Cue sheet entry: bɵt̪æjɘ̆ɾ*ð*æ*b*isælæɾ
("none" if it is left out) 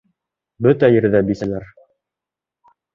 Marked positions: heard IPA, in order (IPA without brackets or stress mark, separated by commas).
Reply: ð, b